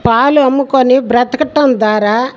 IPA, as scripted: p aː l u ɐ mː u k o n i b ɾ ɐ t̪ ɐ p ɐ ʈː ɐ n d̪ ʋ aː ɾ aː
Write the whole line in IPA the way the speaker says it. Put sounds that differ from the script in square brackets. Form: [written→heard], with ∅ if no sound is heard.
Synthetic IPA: p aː l u ɐ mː u k o n i b ɾ ɐ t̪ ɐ [p→k] ɐ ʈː ɐ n d̪ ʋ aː ɾ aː